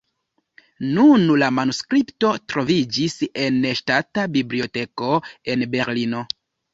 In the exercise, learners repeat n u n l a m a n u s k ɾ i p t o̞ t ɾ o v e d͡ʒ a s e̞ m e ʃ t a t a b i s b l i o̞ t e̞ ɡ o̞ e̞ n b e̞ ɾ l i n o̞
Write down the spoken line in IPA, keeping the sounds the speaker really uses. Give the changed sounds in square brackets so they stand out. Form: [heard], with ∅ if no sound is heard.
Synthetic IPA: n u n l a m a n u s k ɾ i p t o̞ t ɾ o v [i] d͡ʒ [i] s e̞ [n] e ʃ t a t a b i [∅] b l i o̞ t e̞ [k] o̞ e̞ n b e̞ ɾ l i n o̞